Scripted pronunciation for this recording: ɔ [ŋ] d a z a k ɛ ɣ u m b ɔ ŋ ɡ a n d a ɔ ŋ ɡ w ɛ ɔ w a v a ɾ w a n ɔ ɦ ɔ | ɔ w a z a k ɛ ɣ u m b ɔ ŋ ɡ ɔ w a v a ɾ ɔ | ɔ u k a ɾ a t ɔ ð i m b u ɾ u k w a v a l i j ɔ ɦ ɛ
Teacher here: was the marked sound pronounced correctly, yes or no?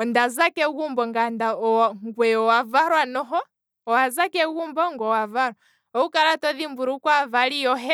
no